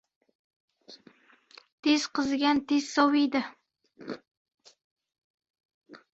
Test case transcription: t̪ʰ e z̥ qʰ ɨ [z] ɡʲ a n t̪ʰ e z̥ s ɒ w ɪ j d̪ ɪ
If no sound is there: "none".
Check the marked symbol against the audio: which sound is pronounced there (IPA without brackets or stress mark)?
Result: z